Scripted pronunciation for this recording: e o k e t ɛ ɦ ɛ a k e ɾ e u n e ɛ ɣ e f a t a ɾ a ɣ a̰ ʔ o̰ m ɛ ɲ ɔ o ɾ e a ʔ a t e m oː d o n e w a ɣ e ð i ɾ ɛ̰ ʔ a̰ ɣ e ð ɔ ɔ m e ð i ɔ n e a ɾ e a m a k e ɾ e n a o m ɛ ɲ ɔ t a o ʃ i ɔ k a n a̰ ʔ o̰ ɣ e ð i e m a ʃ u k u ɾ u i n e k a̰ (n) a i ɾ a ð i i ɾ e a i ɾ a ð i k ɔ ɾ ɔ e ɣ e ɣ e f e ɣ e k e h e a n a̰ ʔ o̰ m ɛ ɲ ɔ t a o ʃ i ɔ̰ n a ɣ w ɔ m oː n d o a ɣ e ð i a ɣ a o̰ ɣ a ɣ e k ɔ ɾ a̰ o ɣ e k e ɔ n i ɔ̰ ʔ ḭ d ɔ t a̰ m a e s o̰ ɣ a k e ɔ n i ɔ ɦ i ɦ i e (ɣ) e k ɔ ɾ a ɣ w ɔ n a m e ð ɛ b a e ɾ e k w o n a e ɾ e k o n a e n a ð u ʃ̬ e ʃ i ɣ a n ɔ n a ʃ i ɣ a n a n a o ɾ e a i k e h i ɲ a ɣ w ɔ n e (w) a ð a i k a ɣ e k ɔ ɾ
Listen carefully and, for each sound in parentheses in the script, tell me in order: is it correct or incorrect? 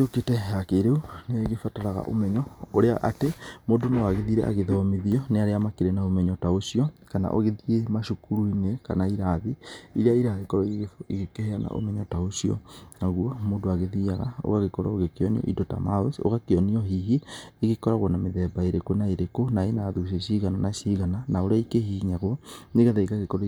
correct, correct, incorrect

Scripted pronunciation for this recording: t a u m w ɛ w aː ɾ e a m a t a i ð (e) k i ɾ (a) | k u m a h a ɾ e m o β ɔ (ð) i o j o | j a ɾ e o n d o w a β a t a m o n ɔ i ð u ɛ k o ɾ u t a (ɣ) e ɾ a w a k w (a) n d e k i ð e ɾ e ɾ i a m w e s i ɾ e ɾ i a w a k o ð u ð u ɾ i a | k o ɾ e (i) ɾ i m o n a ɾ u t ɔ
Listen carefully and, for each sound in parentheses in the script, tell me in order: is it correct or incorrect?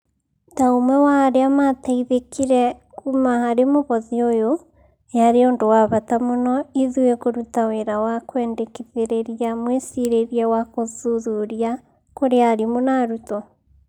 correct, incorrect, correct, incorrect, incorrect, incorrect

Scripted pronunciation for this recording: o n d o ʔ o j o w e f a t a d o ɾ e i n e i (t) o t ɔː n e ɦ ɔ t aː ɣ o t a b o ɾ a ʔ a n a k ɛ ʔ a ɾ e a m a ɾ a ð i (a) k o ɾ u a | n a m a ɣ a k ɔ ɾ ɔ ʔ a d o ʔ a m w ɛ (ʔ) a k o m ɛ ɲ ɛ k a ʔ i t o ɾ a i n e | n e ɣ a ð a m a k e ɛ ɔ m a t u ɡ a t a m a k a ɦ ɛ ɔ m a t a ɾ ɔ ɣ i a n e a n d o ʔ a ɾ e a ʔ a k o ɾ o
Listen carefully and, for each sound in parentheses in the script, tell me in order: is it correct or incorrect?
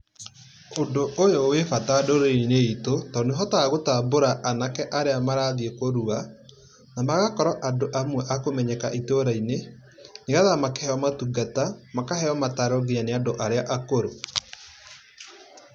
correct, incorrect, correct

